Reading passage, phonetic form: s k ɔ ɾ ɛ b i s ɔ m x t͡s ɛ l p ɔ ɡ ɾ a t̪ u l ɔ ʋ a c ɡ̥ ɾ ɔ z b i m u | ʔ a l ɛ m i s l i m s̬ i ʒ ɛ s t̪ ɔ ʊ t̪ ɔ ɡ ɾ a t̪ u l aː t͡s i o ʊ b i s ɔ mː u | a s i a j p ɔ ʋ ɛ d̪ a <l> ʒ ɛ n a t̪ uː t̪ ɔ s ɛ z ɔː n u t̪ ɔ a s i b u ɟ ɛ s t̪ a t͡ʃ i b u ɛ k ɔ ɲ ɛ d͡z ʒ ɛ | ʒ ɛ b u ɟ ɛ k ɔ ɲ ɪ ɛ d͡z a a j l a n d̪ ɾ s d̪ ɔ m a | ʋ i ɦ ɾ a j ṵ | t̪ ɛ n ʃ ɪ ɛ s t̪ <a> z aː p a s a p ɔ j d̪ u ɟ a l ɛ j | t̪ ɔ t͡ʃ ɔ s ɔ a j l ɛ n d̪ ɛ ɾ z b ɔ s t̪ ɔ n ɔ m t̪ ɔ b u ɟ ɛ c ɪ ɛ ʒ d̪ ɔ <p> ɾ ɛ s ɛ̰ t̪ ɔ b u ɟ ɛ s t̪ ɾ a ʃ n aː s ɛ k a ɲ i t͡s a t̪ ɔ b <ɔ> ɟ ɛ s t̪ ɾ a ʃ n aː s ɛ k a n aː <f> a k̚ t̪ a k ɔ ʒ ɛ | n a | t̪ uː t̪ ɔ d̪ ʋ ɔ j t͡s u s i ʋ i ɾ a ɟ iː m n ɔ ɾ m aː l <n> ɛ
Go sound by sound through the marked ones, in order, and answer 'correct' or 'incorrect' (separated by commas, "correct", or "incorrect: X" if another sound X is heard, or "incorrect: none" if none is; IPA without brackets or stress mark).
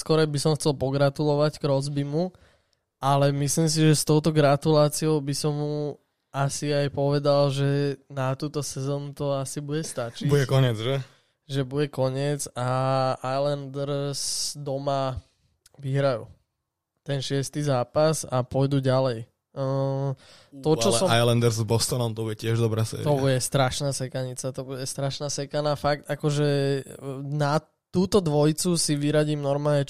correct, incorrect: i, incorrect: b, incorrect: u, correct, incorrect: ɲ